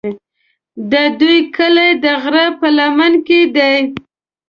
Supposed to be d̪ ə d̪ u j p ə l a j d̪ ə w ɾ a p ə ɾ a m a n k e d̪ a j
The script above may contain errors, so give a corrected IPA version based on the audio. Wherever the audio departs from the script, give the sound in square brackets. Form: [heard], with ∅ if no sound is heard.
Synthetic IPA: d̪ ə d̪ u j [k] ə l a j d̪ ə [ɣ] ɾ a p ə [l] a m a n k e d̪ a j